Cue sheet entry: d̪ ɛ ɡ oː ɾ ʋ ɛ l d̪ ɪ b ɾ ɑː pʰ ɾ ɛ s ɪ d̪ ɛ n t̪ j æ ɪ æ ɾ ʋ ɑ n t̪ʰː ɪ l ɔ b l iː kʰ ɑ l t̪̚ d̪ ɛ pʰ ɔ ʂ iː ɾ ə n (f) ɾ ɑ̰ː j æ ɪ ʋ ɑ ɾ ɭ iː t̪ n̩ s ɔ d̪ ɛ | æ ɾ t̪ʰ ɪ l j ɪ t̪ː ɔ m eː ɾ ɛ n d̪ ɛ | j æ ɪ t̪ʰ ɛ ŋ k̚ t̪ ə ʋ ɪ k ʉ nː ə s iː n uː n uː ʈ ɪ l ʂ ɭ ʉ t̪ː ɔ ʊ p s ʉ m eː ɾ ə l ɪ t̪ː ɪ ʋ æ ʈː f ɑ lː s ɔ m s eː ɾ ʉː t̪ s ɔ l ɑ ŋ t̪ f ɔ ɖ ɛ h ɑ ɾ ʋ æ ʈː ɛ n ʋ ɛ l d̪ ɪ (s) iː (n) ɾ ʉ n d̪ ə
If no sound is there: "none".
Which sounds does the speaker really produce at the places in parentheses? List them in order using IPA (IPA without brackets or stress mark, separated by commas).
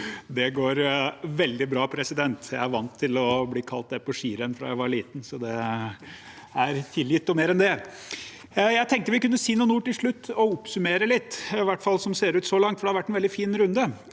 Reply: f, f, n